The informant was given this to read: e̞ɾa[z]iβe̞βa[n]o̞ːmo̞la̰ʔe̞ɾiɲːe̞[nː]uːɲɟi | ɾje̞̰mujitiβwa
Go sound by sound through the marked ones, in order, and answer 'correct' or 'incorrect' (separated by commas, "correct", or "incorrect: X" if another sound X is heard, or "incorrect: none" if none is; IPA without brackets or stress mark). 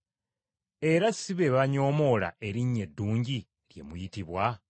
incorrect: s, incorrect: ɲ, incorrect: dː